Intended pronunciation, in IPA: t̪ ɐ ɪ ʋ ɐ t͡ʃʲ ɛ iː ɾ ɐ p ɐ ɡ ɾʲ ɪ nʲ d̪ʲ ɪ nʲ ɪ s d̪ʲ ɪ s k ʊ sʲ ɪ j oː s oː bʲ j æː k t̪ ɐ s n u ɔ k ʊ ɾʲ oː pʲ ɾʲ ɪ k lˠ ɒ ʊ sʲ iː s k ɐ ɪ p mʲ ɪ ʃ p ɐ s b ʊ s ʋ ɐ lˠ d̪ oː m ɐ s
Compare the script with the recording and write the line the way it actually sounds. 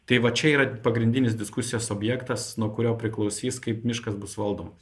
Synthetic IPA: t̪ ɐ ɪ ʋ ɐ t͡ʃʲ ɛ iː ɾ ɐ p ɐ ɡ ɾʲ ɪ nʲ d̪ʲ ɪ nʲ ɪ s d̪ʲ ɪ s k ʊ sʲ ɪ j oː s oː bʲ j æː k t̪ ɐ s n u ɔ k ʊ ɾʲ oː pʲ ɾʲ ɪ k lˠ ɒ ʊ sʲ iː s k ɐ ɪ p mʲ ɪ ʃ k ɐ s b ʊ s ʋ ɐ lˠ d̪ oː m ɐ s